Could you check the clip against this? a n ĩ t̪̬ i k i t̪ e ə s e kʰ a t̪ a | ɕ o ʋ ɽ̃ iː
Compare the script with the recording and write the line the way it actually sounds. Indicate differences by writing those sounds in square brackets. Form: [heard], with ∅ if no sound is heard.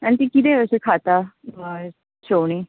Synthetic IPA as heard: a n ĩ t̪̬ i k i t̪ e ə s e kʰ a t̪ a | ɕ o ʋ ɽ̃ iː